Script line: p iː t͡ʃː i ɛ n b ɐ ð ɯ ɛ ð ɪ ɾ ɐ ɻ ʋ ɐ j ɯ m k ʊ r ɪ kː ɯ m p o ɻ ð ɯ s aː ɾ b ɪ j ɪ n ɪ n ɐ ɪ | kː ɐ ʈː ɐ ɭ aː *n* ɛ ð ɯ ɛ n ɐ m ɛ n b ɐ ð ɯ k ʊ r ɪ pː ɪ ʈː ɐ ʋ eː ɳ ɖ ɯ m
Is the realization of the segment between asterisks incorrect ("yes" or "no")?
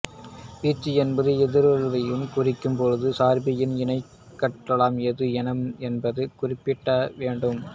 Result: yes